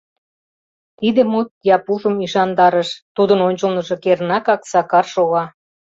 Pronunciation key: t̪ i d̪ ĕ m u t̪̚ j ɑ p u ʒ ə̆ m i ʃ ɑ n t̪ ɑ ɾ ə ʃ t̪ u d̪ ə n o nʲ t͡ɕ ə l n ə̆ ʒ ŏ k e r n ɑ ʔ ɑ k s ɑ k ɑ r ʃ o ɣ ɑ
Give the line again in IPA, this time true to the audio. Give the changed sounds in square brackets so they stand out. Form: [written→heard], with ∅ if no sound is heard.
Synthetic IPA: t̪ i d̪ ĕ m u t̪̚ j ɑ p u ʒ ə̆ m i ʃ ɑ n [t̪→d̪] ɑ ɾ ə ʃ t̪ u d̪ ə n o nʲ t͡ɕ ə l n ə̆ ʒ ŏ k e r n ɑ [ʔ→k] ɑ k s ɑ k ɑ r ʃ o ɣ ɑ